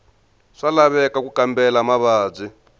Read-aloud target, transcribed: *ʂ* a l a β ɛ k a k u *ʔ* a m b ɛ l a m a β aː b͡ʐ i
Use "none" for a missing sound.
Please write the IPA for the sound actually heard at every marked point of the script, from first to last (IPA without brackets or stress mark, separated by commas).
ʂ, k